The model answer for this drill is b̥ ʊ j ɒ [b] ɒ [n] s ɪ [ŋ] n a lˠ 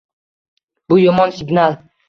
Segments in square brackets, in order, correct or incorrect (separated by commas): incorrect, correct, incorrect